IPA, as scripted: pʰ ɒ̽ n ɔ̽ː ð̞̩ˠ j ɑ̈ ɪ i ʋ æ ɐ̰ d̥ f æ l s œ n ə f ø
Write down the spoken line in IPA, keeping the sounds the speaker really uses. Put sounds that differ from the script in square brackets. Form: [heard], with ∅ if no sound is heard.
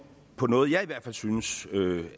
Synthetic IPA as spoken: pʰ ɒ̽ n ɔ̽ː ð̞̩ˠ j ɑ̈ ɪ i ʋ æ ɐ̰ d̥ f æ l s [y] n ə [s] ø